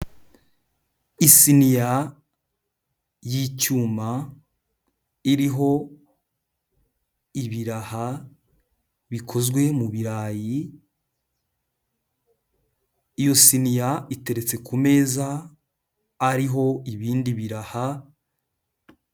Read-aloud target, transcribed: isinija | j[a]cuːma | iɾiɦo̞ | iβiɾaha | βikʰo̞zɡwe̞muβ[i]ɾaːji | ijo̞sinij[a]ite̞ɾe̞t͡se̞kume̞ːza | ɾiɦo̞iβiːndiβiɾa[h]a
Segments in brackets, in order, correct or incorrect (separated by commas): incorrect, correct, correct, correct